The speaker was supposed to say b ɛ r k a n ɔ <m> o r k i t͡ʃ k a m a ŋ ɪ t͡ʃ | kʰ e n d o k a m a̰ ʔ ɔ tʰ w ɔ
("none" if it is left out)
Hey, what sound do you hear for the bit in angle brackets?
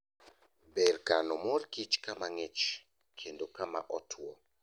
m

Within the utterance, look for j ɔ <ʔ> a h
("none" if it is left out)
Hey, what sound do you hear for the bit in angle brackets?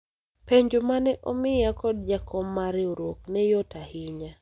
t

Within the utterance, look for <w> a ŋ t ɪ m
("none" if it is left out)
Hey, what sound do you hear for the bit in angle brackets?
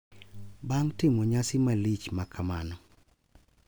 b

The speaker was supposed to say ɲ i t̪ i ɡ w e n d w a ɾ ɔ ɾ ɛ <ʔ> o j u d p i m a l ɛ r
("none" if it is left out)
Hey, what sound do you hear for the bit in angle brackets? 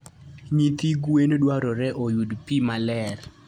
ʔ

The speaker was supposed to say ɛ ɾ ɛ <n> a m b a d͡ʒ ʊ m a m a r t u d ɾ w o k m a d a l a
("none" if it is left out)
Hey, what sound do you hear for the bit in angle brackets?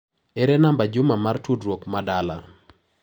n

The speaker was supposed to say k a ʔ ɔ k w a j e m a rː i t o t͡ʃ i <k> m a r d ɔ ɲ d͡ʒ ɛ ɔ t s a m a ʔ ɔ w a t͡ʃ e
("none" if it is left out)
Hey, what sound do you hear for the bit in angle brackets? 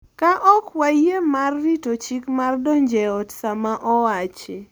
k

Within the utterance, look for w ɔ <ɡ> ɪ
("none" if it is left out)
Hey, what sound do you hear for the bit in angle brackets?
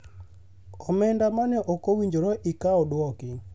k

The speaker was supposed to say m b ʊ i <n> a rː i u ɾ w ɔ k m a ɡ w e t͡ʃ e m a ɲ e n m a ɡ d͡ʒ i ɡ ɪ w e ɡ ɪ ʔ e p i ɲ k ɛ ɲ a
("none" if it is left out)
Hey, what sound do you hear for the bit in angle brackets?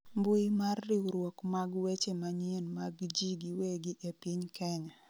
m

